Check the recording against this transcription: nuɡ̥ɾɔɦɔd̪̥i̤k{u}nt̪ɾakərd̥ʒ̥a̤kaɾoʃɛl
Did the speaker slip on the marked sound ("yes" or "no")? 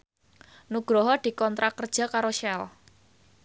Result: yes